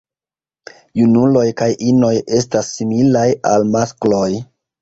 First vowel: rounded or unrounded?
rounded